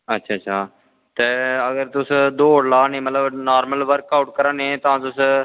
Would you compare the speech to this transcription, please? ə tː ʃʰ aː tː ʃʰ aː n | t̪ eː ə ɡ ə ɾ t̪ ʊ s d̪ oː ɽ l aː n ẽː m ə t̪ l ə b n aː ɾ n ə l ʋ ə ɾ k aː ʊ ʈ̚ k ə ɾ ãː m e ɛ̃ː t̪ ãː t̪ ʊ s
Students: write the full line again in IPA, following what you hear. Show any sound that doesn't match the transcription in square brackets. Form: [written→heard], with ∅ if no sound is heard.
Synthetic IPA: ə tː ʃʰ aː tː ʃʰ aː [n→∅] | t̪ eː ə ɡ ə ɾ t̪ ʊ s d̪ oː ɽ l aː n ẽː m ə t̪ l ə b n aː ɾ [n→m] ə l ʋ ə ɾ k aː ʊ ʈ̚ k ə ɾ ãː [m→n] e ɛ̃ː t̪ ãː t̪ ʊ s